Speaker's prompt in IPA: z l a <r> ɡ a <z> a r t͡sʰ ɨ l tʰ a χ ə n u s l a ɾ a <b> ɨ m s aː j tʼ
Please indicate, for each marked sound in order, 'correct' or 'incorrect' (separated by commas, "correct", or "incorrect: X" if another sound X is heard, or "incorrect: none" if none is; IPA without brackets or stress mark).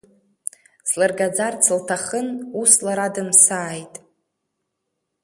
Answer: correct, incorrect: d͡z, incorrect: d